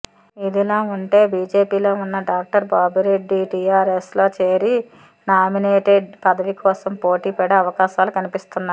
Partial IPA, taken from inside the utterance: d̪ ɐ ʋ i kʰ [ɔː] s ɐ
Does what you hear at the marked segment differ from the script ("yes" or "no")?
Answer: no